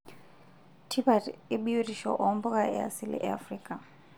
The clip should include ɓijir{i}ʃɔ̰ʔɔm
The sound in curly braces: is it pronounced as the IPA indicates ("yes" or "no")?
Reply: yes